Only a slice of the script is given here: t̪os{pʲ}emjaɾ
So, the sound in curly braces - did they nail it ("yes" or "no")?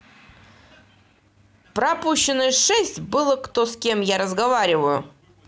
no